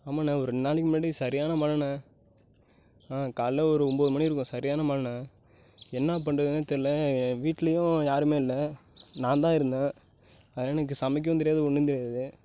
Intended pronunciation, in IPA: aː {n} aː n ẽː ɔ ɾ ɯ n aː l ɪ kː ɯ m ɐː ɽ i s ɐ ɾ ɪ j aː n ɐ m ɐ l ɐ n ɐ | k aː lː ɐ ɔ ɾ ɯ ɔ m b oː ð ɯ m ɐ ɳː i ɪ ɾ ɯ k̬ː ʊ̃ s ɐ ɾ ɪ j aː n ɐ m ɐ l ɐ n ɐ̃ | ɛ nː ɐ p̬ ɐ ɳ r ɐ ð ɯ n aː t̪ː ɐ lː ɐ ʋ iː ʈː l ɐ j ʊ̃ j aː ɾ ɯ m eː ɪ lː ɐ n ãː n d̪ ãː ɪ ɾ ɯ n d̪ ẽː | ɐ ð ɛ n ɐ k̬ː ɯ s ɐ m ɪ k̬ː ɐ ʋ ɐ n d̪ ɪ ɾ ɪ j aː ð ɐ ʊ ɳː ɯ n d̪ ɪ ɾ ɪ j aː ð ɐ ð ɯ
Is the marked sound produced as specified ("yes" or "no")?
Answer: no